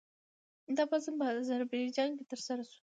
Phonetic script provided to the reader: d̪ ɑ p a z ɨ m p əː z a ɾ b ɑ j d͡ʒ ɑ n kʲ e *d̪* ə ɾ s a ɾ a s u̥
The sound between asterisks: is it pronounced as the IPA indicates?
no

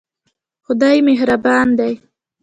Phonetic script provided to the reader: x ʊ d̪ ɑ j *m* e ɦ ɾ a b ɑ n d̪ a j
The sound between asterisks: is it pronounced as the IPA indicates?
yes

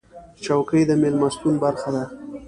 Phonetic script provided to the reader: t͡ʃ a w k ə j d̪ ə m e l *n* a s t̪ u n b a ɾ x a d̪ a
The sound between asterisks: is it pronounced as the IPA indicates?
no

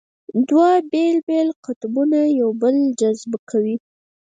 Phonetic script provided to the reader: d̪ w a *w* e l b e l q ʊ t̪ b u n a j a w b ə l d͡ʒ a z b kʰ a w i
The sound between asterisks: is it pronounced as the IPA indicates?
no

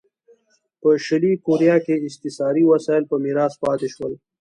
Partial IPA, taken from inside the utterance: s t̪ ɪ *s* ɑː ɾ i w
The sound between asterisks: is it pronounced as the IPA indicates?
yes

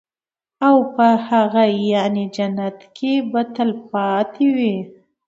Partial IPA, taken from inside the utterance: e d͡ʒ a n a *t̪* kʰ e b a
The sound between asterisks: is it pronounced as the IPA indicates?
yes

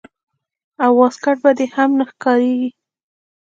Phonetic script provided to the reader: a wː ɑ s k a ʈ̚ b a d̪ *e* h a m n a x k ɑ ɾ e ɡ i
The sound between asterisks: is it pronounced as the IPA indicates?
yes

